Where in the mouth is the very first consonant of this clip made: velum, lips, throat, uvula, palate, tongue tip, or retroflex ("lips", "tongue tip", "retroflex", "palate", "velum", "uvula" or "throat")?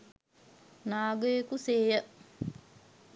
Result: tongue tip